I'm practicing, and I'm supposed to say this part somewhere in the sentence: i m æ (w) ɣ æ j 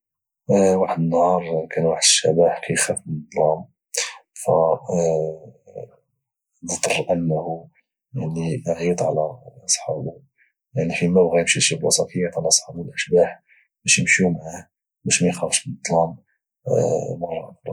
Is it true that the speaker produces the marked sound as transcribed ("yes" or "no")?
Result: no